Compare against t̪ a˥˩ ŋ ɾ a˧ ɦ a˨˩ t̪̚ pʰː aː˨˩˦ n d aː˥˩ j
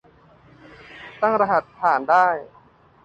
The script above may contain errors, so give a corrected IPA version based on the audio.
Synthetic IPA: t̪ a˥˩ ŋ ɾ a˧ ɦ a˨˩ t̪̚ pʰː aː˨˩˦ n d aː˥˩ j